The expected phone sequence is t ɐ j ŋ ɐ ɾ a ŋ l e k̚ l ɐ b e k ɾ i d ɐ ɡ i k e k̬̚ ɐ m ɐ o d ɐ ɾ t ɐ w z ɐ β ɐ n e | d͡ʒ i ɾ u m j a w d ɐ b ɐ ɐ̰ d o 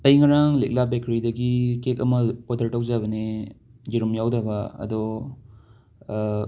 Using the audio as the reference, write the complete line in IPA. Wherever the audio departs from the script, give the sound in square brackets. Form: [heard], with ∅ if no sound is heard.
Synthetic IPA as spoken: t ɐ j ŋ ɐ ɾ a ŋ l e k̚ l [a] b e k ɾ i d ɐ ɡ i k e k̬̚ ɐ m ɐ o d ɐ ɾ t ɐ w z [a] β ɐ n e | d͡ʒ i ɾ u m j a w d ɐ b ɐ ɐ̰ d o